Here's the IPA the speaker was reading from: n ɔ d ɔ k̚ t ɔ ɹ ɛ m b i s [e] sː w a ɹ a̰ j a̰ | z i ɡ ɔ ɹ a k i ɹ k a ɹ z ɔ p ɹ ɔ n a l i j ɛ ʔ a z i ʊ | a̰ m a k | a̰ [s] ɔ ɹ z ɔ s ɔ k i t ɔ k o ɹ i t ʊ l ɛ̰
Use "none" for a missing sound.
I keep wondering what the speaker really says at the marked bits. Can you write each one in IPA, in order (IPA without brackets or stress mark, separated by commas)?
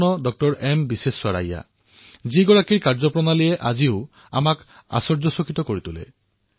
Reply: e, s